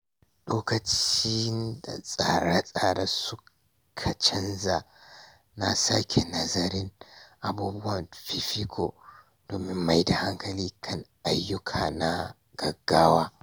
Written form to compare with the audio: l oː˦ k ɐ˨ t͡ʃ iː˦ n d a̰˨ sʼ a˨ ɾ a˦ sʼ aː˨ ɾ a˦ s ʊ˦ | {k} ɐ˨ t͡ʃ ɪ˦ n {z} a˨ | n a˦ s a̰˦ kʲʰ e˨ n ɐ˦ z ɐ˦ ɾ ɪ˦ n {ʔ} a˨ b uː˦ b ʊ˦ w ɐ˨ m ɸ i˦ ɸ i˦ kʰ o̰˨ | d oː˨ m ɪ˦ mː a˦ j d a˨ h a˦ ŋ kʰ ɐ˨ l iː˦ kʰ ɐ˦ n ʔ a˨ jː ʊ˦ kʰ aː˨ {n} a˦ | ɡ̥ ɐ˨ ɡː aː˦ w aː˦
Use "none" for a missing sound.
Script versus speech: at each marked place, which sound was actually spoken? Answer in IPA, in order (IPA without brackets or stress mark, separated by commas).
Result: kʰ, z, ʔ, n